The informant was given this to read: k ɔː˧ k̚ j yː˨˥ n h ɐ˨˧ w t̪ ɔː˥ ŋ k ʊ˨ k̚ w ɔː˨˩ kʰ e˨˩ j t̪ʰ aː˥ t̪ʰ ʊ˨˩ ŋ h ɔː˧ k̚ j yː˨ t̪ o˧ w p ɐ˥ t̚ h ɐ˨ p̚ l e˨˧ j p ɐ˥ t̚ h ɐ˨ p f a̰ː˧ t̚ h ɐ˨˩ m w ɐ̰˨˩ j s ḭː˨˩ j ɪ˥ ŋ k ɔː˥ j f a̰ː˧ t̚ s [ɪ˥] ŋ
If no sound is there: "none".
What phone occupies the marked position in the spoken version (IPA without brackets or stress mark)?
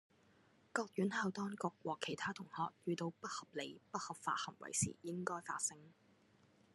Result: ɪ˥